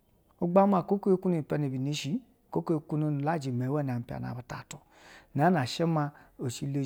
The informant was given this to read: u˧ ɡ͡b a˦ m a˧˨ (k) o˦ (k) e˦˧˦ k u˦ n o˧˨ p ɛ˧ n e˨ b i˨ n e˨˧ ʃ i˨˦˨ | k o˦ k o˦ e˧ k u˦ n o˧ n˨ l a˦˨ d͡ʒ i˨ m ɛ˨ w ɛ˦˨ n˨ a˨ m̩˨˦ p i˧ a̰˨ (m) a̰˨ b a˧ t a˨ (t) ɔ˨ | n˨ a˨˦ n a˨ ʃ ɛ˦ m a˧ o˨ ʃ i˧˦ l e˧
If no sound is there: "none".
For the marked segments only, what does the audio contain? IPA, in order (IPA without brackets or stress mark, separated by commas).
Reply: k, k, n, t